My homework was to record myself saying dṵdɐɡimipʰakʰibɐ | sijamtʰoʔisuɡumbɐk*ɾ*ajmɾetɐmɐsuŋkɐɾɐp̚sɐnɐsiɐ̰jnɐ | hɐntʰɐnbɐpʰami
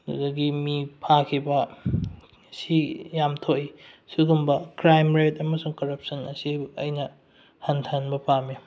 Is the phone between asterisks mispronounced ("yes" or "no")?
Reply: no